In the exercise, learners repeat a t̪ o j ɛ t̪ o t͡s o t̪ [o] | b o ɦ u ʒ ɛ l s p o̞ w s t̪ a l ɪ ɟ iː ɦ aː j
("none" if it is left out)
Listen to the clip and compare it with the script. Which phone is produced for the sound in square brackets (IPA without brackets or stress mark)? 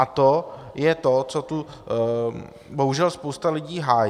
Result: u